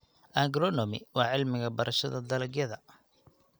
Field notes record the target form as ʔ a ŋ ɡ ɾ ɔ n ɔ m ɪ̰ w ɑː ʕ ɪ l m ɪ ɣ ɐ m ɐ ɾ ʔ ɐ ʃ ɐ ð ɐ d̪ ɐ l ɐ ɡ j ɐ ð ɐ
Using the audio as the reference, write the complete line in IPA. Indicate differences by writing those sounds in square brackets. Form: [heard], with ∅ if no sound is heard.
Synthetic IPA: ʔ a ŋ ɡ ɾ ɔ n ɔ m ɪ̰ w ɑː ʕ ɪ l m ɪ ɣ ɐ [b] ɐ ɾ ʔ ɐ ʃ ɐ ð ɐ d̪ ɐ l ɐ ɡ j ɐ ð ɐ

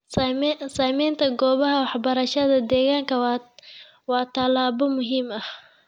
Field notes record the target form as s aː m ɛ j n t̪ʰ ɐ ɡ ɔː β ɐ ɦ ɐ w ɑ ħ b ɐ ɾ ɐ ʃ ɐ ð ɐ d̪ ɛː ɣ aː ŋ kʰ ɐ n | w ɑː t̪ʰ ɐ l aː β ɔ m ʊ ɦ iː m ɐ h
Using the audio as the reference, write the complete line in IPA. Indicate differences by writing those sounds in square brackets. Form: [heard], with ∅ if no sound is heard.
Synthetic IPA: s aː m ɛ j n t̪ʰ ɐ ɡ ɔː β ɐ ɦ ɐ w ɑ ħ b ɐ ɾ ɐ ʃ ɐ ð ɐ d̪ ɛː ɣ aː ŋ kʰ ɐ [∅] | w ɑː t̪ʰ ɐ l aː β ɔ m ʊ ɦ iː m ɐ h

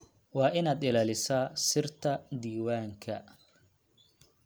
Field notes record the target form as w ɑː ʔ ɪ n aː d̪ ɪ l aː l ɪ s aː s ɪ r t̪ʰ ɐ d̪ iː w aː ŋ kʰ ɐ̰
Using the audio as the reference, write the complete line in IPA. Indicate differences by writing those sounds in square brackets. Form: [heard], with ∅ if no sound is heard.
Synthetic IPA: w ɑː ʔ ɪ n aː d̪ ɪ l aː l ɪ s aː s ɪ r t̪ʰ ɐ d̪ iː w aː ŋ kʰ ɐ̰

